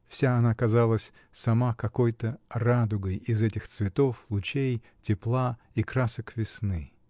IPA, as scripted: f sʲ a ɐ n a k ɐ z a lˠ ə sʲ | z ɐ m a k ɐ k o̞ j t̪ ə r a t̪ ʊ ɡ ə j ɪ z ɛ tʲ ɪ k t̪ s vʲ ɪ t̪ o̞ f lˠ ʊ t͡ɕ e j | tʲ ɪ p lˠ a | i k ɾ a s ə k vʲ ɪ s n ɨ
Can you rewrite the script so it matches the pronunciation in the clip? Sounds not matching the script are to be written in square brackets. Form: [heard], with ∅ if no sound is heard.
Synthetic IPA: f sʲ a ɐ n a k ɐ z a lˠ ə sʲ | [s] ɐ m a k ɐ k o̞ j t̪ ə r a [d̪] ʊ ɡ ə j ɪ z ɛ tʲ ɪ [x] t̪ s vʲ ɪ t̪ o̞ f lˠ ʊ t͡ɕ e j | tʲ ɪ p lˠ a | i k ɾ a s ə k vʲ ɪ s n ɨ